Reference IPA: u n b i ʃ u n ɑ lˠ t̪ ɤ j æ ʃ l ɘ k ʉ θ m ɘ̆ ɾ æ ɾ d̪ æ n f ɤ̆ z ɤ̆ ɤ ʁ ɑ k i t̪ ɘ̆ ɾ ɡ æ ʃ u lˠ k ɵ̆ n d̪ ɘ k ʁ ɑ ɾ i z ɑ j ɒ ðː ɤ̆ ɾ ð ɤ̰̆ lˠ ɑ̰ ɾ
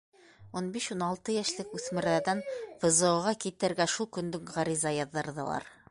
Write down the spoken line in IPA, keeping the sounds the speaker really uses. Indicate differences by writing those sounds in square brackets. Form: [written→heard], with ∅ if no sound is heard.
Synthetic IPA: u n b i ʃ u n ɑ lˠ t̪ ɤ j æ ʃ l ɘ k ʉ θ m ɘ̆ ɾ æ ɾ d̪ æ n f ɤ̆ z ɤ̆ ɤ ʁ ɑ k i t̪ ɘ̆ ɾ ɡ æ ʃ u lˠ k ɵ̆ n d̪ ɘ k ʁ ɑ ɾ i z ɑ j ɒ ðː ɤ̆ ɾ ð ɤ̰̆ lˠ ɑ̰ ɾ